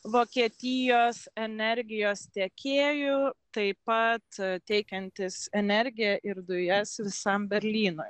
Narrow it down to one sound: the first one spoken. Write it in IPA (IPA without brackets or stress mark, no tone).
ʋ